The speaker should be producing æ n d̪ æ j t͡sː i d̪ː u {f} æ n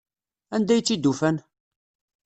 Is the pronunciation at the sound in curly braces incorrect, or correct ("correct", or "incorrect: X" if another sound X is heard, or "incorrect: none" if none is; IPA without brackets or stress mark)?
correct